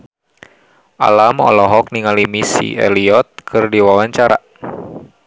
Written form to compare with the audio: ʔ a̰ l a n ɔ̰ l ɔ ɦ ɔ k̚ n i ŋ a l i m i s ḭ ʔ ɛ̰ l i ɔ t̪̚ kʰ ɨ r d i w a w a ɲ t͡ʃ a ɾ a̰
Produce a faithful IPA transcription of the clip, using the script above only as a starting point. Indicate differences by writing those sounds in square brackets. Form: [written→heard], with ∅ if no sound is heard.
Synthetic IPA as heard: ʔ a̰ l a [n→m] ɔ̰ l ɔ ɦ ɔ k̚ n i ŋ a l i m i s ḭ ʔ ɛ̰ l i ɔ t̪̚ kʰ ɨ r d i w a w a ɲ t͡ʃ a ɾ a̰